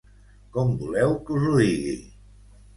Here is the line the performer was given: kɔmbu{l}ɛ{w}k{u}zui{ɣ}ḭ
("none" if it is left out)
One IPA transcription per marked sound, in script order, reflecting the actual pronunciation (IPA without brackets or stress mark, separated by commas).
l, w, u, ɣ